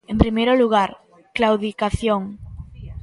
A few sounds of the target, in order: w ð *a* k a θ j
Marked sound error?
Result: yes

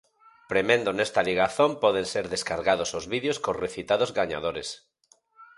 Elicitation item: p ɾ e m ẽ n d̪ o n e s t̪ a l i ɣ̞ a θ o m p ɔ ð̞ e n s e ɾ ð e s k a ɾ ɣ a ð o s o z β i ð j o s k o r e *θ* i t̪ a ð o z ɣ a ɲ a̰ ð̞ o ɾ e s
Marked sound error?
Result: no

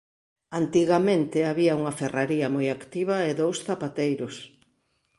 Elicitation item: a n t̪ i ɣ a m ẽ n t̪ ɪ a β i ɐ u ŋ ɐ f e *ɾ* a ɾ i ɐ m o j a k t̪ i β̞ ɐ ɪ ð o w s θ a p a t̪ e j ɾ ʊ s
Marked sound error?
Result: yes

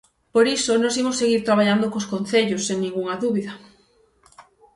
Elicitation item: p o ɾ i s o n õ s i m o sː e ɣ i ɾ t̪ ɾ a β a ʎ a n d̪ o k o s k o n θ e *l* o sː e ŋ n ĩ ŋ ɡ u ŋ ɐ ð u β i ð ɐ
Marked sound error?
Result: yes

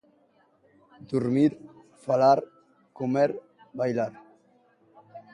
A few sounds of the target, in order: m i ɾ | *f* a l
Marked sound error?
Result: no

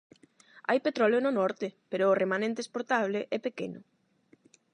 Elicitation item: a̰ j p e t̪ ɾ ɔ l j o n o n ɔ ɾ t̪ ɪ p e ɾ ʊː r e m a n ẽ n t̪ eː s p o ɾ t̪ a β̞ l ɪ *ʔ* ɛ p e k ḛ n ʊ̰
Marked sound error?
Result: no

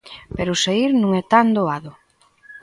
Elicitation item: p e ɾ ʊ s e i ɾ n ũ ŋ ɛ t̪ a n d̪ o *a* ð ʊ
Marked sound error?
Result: no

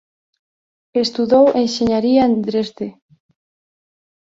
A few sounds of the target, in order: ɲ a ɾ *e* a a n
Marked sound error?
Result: yes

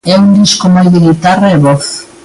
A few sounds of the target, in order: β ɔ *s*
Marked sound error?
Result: yes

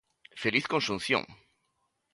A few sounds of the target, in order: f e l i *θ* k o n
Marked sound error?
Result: no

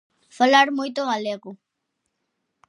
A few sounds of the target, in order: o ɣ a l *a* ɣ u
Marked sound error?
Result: yes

